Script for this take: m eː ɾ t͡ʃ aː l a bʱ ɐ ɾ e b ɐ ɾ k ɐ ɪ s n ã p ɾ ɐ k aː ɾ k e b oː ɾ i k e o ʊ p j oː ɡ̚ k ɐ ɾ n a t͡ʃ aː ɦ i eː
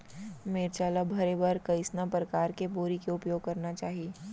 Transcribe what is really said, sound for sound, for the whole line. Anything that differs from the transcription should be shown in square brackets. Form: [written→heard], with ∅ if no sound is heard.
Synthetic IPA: m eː ɾ t͡ʃ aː l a bʱ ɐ ɾ e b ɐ ɾ k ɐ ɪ s n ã p ɾ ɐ k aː ɾ k e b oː ɾ i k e o ʊ p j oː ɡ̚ k ɐ ɾ n a t͡ʃ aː ɦ i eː